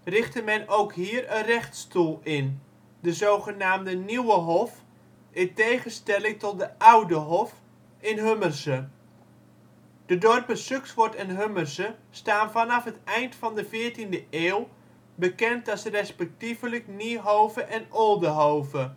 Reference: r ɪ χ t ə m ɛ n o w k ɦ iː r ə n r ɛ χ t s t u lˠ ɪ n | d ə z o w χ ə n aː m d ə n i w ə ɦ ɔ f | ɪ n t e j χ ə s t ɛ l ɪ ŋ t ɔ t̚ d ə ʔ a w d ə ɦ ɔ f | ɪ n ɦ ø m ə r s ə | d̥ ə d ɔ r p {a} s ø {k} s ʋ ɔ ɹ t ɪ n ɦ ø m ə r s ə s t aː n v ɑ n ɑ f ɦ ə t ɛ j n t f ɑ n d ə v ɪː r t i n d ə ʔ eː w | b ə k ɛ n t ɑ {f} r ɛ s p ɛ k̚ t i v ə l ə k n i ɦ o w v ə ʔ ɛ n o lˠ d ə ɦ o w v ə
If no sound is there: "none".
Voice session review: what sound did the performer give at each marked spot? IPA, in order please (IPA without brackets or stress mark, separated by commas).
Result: ə, k, s